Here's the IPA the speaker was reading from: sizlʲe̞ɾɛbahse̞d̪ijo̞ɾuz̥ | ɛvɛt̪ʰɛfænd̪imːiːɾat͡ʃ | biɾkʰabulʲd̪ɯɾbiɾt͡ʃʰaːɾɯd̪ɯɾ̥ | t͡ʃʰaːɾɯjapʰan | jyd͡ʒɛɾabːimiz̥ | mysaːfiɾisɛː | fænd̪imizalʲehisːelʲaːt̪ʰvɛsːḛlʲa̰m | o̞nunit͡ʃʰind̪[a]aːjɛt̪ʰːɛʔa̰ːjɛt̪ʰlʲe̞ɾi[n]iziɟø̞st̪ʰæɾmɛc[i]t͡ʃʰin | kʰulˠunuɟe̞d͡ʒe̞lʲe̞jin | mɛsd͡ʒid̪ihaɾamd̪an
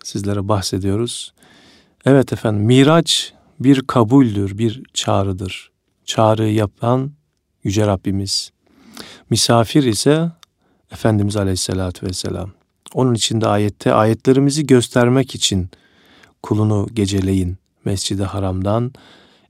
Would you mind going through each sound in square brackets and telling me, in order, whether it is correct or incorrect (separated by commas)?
incorrect, incorrect, correct